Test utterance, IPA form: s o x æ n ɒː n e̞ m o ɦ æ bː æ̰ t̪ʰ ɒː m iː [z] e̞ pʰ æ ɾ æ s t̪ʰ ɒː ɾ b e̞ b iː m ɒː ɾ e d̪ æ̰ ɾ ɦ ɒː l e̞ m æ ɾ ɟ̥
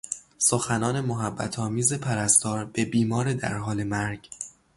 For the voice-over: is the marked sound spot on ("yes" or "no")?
yes